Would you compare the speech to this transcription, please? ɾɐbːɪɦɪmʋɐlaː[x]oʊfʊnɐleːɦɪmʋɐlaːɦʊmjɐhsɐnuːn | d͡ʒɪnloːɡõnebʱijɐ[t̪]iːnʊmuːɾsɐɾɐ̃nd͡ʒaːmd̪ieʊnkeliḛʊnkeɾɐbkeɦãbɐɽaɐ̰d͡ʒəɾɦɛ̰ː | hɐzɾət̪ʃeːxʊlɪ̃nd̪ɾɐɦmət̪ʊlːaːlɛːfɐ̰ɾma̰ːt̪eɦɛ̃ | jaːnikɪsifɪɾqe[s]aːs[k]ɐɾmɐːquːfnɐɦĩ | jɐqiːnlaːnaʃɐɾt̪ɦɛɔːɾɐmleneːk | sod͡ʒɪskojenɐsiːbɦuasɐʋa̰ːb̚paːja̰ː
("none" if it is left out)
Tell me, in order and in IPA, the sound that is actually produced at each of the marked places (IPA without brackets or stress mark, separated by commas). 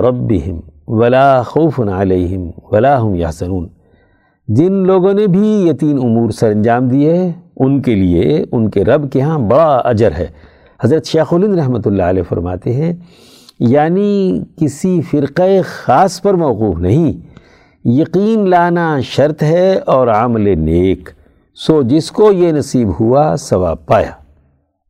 x, t̪, x, p